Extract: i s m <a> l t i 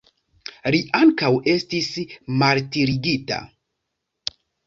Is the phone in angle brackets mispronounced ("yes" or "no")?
no